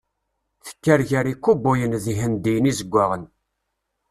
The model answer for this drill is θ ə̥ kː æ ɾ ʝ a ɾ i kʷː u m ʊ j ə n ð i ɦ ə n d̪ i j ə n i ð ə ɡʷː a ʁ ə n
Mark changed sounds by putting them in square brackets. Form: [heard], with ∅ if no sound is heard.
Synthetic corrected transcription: θ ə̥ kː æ ɾ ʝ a ɾ i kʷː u [b] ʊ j ə n ð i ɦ ə n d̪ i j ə n i [z] ə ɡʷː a ʁ ə n